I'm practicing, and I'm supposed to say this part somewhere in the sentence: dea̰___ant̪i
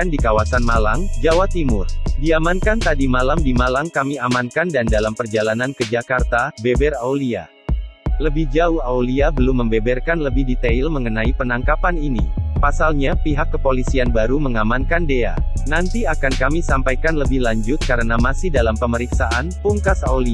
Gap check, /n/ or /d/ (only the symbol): n